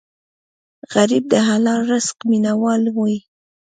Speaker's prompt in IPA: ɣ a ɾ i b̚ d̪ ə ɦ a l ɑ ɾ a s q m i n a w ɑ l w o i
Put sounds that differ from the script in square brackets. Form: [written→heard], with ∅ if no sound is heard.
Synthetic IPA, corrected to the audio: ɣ a ɾ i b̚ d̪ ə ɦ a l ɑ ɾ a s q m i n a w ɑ l w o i